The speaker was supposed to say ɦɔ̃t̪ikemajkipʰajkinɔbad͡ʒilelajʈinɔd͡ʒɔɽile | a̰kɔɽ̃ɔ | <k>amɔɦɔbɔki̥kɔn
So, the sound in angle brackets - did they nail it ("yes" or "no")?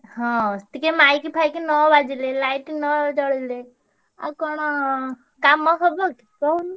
yes